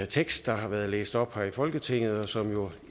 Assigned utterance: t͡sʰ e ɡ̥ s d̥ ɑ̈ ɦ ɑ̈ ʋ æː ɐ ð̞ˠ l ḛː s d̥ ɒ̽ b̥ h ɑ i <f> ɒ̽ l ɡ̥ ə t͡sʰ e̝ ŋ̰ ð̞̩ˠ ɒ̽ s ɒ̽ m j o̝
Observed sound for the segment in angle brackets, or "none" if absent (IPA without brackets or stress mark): f